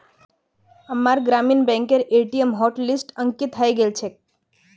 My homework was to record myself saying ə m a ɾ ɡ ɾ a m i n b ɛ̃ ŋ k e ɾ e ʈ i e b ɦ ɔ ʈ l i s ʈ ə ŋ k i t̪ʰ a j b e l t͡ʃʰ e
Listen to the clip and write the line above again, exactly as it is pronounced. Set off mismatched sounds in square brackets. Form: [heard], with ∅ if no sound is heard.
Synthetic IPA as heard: ə m a ɾ ɡ ɾ a m i n b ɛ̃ ŋ k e ɾ e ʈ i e [m] ɦ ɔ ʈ l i s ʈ ə ŋ k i t̪ʰ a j [ɡ] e l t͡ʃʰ e